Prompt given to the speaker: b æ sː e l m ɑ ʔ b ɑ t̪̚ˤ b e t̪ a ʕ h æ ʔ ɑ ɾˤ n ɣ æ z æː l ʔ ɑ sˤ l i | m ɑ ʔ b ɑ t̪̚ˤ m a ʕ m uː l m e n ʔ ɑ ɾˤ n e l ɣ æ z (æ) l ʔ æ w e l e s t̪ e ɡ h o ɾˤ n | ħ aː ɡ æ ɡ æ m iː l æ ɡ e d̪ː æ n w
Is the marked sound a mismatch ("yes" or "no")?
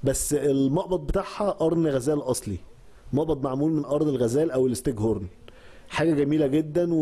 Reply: yes